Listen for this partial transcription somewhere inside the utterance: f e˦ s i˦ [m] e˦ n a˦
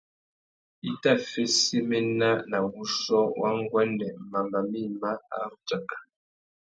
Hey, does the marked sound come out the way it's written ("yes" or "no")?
yes